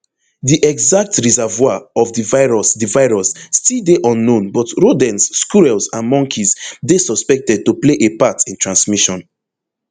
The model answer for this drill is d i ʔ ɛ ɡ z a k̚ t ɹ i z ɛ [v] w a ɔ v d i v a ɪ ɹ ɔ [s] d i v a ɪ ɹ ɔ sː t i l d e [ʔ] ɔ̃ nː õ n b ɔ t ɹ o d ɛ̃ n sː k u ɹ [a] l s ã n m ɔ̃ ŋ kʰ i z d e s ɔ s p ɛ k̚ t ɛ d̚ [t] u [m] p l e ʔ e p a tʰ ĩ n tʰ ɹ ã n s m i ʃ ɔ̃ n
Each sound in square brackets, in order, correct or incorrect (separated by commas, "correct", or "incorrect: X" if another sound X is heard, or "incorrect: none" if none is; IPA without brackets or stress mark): correct, correct, correct, incorrect: ɛ, correct, incorrect: none